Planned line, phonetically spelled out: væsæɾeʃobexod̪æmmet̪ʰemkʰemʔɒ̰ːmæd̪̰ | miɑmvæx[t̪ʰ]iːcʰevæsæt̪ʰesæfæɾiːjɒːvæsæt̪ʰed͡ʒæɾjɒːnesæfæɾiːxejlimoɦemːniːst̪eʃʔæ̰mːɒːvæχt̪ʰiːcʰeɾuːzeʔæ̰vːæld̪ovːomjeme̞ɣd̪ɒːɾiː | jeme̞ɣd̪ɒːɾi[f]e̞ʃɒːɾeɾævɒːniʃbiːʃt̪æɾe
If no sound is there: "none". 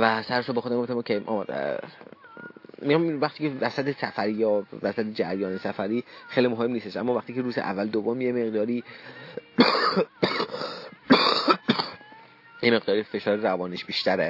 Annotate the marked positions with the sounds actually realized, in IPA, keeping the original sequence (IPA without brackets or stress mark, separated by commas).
t̪, f